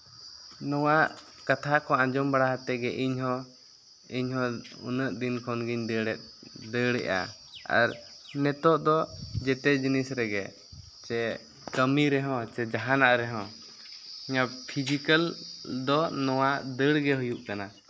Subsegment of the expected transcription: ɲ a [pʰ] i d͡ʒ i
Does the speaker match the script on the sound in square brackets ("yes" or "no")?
yes